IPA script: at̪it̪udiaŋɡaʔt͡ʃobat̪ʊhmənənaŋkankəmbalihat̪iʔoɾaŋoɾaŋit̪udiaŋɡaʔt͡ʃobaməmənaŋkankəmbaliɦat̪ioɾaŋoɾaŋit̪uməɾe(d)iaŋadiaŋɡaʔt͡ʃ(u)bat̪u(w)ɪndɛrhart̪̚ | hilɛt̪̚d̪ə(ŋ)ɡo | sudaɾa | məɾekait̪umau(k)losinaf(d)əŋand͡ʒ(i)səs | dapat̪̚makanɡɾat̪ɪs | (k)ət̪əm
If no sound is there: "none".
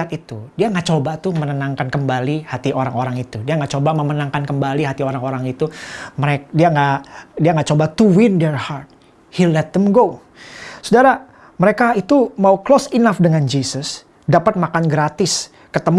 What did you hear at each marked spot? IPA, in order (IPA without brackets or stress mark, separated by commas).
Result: d, o, w, m, k, d, i, k